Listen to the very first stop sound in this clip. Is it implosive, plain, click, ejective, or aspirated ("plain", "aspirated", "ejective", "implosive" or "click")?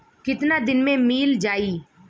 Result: plain